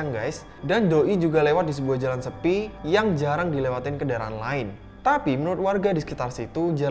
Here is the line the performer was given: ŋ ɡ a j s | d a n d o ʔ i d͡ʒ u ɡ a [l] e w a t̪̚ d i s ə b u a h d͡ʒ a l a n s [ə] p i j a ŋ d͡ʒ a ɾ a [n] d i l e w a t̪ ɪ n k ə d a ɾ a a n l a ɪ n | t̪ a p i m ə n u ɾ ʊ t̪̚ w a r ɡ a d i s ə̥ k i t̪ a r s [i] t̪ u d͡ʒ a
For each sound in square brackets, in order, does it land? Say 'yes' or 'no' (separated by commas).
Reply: yes, yes, no, yes